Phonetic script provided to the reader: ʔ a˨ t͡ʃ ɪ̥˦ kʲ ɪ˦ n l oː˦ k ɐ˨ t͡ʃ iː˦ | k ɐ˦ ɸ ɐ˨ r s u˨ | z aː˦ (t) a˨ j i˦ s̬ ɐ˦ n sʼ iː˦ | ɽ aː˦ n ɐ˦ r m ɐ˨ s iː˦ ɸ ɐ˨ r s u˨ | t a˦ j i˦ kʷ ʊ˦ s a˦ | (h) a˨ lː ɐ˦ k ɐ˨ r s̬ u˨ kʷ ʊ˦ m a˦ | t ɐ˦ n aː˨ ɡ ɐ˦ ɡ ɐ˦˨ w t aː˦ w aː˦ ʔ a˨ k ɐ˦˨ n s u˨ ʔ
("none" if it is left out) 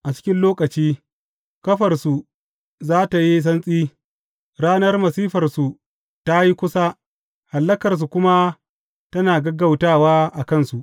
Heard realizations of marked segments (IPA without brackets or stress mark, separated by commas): t, h